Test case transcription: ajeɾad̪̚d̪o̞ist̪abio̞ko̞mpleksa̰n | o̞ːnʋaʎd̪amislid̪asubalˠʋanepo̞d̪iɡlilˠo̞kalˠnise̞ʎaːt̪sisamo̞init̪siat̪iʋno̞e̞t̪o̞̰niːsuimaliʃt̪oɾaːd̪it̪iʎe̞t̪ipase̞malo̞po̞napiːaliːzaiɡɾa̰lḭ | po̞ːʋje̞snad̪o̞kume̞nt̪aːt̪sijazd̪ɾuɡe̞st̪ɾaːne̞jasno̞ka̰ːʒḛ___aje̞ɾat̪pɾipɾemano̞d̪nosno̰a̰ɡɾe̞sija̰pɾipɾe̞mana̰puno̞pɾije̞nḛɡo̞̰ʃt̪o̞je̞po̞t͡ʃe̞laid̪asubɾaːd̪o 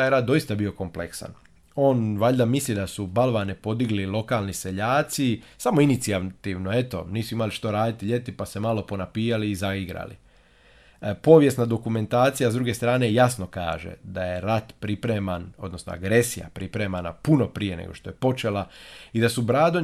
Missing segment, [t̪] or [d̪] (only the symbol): d̪